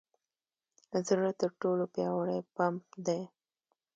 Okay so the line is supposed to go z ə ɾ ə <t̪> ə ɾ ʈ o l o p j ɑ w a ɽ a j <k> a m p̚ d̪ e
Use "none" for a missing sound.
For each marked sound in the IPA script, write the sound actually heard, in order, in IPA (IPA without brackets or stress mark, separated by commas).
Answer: t̪, p